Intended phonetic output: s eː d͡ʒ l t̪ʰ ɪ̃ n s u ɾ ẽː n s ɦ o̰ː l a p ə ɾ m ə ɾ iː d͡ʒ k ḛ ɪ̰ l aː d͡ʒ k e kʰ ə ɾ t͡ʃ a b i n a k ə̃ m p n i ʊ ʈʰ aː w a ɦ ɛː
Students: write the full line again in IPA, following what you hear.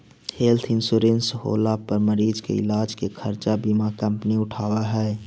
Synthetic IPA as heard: h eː l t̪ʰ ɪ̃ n s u ɾ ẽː n s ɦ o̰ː l a p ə ɾ m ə ɾ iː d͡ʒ k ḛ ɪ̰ l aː d͡ʒ k e kʰ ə ɾ t͡ʃ a b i m a k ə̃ m p n i ʊ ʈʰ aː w a ɦ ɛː